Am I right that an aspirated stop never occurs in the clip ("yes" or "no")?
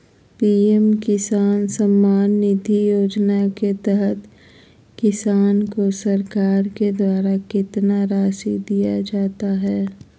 yes